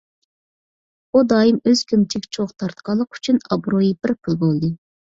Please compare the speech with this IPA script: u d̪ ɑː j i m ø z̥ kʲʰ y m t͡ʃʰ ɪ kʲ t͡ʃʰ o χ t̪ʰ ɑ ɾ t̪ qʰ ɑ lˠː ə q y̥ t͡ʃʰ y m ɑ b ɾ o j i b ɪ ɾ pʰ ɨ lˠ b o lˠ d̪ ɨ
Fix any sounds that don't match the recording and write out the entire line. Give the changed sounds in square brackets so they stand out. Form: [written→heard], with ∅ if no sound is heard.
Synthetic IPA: u d̪ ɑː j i m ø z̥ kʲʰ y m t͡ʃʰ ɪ kʲ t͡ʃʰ o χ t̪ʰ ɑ ɾ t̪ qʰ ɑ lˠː ə q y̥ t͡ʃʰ y [m→n] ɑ b ɾ o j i b ɪ ɾ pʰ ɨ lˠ b o lˠ d̪ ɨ